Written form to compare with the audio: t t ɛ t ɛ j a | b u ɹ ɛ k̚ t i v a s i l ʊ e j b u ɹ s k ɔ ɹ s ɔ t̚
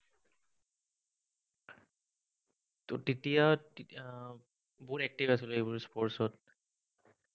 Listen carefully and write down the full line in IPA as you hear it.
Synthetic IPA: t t i t i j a | b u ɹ ɛ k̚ t i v a s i l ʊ e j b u ɹ s p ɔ ɹ s ɔ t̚